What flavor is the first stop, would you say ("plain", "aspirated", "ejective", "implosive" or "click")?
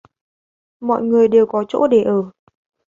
implosive